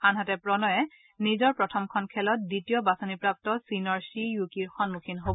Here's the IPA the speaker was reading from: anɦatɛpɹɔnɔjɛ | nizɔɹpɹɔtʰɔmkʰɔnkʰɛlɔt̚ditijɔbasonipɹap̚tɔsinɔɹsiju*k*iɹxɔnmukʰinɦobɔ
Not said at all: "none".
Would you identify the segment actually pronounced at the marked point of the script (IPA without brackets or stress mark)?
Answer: k